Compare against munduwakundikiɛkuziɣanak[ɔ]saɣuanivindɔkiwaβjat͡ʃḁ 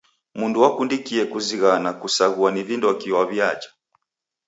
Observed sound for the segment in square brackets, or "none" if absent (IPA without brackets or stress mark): u